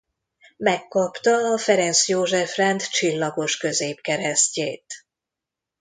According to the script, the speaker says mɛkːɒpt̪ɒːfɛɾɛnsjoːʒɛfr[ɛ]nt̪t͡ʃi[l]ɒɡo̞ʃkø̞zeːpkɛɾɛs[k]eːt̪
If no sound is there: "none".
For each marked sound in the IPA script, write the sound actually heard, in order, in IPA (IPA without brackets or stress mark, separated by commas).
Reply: ɛ, lː, c